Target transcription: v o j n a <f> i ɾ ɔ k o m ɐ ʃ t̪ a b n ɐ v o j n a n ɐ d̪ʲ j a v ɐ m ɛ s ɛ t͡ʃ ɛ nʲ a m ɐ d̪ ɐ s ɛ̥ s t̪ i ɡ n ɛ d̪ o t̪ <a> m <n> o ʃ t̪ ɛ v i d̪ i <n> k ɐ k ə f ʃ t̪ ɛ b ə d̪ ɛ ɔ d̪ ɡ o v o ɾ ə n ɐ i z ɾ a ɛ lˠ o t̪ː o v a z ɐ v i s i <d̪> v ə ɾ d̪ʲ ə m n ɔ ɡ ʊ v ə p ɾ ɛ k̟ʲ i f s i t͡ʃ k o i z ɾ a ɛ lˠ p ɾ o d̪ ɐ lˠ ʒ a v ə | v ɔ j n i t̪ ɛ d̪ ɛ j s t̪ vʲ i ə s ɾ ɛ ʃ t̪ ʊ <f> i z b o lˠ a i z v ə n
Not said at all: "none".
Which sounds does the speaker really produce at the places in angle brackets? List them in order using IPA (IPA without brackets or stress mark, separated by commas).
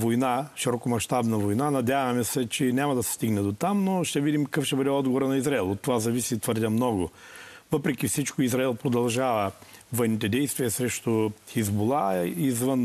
ʃ, a, n, m, t̪, x